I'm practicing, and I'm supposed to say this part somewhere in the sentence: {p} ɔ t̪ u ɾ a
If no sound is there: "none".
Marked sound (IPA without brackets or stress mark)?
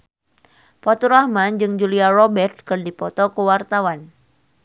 p